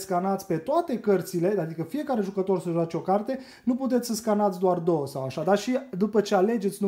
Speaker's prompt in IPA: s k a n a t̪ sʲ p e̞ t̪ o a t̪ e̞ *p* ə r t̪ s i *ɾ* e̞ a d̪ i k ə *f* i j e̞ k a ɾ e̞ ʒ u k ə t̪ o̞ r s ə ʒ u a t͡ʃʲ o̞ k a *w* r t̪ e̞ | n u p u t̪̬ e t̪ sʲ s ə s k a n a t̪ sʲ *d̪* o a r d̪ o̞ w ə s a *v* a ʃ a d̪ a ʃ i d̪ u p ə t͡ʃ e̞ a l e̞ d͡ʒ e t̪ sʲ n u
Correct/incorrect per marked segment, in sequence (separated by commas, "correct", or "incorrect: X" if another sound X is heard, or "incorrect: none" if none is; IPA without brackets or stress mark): incorrect: k, incorrect: l, correct, incorrect: none, correct, incorrect: w